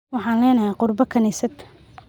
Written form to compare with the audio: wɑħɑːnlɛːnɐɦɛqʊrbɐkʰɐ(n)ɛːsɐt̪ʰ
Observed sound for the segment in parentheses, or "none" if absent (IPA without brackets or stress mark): n